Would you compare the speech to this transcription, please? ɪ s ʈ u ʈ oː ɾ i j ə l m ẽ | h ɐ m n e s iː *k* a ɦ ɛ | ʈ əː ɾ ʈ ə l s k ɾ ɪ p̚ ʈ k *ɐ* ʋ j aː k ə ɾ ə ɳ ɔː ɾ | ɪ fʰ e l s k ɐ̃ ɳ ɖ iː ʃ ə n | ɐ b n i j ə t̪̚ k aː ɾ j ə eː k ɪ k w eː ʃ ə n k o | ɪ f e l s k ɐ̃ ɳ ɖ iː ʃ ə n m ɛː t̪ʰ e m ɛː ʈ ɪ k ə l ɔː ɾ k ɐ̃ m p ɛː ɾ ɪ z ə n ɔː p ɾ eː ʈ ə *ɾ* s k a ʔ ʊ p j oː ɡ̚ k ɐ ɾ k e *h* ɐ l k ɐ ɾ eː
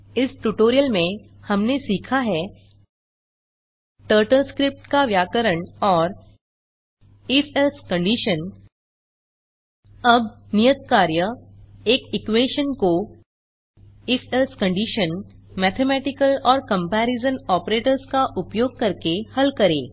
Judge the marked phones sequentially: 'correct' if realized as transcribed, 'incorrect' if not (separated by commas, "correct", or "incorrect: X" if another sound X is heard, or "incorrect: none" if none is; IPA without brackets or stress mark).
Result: incorrect: kʰ, incorrect: a, correct, correct